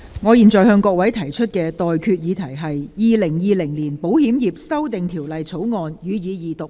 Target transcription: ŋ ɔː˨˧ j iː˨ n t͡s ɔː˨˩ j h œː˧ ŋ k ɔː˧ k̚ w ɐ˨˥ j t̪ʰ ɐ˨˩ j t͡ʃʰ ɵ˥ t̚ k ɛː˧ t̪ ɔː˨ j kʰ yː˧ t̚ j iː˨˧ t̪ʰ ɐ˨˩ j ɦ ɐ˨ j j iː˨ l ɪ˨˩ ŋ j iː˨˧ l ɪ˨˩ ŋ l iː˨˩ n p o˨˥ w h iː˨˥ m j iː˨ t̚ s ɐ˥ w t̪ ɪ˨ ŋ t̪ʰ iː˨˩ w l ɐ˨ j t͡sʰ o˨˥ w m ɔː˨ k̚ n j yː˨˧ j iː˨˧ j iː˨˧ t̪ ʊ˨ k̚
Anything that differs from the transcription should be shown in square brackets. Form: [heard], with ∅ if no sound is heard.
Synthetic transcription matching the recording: ŋ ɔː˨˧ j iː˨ n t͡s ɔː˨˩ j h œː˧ ŋ k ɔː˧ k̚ w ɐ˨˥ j t̪ʰ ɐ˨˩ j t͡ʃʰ ɵ˥ t̚ k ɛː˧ t̪ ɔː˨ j kʰ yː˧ t̚ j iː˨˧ t̪ʰ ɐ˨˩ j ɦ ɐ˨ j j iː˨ l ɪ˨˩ ŋ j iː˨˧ l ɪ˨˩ ŋ l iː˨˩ n p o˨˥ w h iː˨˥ m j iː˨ [p̚] s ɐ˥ w t̪ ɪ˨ ŋ t̪ʰ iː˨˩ w l ɐ˨ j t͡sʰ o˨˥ w [ŋ] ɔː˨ [∅] n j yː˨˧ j iː˨˧ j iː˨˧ t̪ ʊ˨ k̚